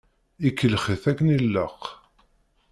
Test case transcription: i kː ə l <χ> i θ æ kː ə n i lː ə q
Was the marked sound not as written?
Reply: no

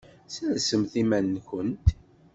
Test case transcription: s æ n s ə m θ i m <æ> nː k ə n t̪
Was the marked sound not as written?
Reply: no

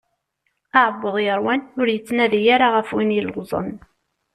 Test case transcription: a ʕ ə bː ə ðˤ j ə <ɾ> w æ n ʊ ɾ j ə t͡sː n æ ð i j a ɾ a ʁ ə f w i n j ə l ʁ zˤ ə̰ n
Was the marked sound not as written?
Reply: no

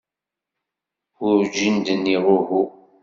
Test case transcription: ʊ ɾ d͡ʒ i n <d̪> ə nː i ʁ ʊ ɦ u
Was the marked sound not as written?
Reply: no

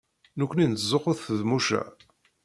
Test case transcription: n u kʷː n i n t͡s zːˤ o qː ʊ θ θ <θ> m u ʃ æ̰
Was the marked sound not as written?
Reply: yes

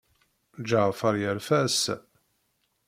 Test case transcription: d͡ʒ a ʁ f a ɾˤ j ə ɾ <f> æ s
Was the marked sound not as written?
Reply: no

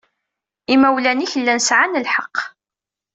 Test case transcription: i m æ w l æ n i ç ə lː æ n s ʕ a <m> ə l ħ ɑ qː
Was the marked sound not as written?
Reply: yes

